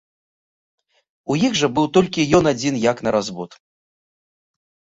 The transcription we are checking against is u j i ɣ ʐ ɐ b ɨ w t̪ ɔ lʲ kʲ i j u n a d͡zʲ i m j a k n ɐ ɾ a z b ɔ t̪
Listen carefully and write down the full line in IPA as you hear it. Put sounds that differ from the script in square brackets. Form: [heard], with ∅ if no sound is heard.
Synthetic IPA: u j i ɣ ʐ ɐ b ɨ w t̪ ɔ lʲ kʲ i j [ɔ] n a d͡zʲ i [n] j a k n ɐ ɾ a z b ɔ t̪